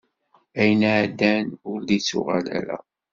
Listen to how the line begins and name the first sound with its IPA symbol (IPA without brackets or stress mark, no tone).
æ